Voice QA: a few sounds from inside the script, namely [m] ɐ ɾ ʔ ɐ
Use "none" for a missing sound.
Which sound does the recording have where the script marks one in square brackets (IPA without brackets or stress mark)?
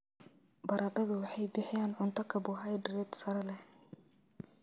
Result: b